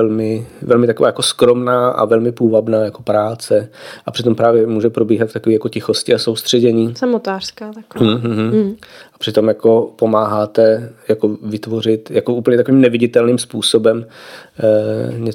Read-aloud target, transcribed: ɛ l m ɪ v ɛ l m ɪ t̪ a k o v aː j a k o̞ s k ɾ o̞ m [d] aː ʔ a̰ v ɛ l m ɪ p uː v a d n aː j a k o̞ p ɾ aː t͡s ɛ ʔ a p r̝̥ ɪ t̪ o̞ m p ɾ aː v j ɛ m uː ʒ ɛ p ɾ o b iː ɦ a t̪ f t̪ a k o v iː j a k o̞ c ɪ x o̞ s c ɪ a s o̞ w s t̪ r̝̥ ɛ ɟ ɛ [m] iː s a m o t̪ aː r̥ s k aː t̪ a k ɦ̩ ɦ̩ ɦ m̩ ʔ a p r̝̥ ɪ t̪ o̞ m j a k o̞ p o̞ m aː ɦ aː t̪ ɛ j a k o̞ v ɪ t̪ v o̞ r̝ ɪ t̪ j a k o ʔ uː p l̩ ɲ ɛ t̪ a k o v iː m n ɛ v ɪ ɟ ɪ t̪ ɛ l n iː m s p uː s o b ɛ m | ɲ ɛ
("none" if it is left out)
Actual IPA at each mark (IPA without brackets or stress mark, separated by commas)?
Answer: n, ɲ